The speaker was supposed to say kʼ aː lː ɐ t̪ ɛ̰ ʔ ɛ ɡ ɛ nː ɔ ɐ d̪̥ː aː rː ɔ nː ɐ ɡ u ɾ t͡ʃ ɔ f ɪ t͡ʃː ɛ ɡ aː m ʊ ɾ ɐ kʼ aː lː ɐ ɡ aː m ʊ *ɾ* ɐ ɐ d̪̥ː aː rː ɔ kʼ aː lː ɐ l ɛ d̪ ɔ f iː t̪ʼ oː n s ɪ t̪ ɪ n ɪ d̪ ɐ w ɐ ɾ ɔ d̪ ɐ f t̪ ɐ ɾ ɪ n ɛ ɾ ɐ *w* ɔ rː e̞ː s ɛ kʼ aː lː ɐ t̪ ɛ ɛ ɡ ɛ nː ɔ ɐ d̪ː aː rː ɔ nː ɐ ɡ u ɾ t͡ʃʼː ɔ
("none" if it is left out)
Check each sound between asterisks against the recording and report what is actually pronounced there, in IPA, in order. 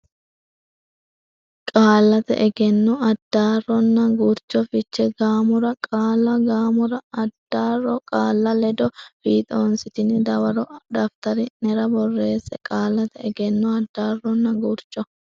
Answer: ɾ, b

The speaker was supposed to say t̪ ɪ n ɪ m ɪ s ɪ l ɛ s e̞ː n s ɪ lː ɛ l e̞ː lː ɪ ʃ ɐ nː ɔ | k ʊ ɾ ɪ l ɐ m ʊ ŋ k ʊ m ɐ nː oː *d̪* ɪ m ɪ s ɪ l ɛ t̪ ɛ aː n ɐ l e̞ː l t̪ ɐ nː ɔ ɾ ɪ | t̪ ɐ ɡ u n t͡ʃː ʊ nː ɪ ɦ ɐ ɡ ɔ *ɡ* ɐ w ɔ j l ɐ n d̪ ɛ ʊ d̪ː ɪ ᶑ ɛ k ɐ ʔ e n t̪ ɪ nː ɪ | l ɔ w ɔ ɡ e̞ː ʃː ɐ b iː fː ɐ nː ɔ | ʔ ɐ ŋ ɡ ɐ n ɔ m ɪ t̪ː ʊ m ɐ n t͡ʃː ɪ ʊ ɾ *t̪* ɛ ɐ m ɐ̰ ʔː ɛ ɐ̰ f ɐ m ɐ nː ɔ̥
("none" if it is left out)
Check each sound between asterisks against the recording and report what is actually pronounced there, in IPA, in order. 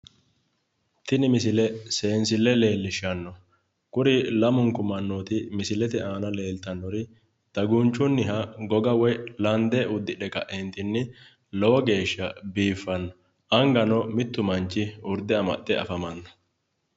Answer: t̪, ɡ, d̪

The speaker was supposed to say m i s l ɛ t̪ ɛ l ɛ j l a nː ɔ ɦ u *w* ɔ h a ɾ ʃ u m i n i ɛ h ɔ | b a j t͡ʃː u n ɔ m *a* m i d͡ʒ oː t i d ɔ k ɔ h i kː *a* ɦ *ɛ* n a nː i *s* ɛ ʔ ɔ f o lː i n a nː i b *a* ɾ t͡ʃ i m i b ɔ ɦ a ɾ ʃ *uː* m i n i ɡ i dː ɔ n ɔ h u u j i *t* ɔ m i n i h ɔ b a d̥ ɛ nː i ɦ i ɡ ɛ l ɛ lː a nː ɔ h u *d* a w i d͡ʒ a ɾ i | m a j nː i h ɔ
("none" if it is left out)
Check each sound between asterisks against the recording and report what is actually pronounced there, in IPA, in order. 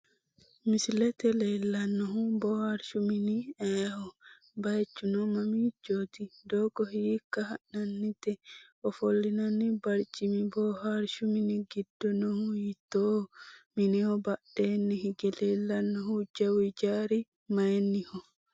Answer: b, a, a, a, t, a, u, t, d͡ʒ

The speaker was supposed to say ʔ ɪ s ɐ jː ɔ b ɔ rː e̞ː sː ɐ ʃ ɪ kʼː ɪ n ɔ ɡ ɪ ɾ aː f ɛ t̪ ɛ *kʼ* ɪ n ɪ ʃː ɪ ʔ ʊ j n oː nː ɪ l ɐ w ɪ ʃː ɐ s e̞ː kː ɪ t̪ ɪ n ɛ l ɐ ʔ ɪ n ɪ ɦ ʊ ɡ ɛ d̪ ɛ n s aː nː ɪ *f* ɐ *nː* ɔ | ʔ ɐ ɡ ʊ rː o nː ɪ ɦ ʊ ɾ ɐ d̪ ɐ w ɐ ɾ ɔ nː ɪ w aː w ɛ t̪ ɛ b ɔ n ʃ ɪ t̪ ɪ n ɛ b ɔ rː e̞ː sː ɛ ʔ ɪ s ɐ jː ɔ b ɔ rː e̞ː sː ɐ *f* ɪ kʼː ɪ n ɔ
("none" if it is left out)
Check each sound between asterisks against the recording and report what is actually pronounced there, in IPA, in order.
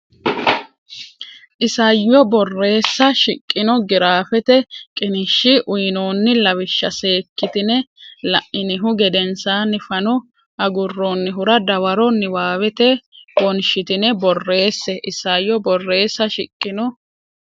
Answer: kʼ, f, n, ʃ

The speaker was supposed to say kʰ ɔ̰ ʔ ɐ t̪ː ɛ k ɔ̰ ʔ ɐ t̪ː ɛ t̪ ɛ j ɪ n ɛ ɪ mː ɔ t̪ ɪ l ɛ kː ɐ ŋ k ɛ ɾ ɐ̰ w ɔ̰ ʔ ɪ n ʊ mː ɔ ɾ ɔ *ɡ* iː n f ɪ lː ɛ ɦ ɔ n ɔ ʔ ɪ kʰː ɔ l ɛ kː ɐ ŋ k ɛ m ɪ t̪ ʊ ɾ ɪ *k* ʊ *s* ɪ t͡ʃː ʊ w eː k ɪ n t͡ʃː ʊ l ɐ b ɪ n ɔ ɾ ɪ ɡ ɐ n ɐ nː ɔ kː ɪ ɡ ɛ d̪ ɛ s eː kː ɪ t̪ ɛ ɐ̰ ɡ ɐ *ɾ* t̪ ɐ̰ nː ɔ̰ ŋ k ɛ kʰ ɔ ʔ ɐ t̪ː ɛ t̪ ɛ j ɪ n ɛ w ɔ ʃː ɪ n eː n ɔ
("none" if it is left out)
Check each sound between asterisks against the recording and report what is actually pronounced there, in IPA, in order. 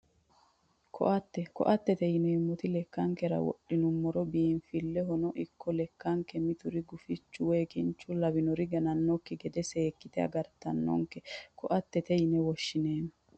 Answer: b, ɡ, f, ɾ

